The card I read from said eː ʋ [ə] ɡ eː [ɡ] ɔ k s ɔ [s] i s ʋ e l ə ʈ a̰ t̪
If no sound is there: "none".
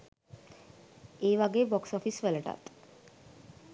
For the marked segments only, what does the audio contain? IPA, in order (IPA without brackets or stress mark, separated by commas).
a, b, f